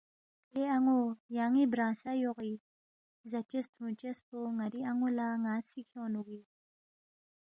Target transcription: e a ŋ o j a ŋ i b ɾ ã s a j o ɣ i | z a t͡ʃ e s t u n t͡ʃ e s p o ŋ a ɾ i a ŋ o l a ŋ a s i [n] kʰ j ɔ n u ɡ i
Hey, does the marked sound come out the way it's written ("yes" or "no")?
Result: no